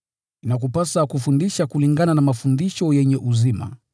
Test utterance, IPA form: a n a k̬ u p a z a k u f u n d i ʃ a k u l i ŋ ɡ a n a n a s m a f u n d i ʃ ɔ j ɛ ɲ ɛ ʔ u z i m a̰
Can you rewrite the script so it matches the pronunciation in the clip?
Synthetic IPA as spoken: i n a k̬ u p a s a k u f u n d i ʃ a k u l i ŋ ɡ a n a n a m a f u n d i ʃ ɔ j ɛ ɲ ɛ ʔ u z i m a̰